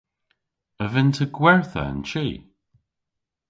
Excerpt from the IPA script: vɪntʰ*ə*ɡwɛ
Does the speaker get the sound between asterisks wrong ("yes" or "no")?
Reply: no